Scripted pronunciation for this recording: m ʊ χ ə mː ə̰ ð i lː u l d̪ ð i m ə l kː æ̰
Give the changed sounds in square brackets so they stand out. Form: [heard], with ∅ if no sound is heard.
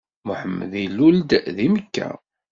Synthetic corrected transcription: m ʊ [ħ] ə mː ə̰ ð i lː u l d̪ ð i m ə [∅] kː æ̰